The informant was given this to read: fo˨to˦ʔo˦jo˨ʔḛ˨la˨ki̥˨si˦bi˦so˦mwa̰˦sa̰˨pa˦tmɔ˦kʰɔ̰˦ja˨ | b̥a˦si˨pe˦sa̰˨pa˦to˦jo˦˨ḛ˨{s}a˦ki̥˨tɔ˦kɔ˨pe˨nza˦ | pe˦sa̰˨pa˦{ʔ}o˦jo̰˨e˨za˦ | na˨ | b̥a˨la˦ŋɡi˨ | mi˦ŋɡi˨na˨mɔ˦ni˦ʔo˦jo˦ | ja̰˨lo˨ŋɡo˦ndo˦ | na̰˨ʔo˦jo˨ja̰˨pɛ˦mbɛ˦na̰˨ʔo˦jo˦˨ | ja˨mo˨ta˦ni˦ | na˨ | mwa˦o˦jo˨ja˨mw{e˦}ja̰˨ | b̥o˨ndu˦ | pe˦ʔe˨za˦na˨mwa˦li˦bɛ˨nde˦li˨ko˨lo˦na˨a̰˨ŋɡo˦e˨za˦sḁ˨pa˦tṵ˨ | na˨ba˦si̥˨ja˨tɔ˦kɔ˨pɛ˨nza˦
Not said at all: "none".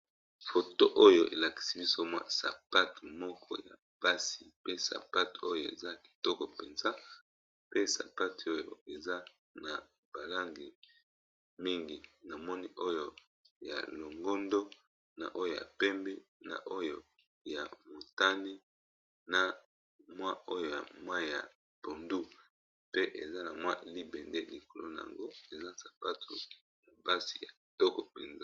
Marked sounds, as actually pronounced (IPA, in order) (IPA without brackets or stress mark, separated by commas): z, t, a˦